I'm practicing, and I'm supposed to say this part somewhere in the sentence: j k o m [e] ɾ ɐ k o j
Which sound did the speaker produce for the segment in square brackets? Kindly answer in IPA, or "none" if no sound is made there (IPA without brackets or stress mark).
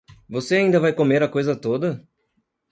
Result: e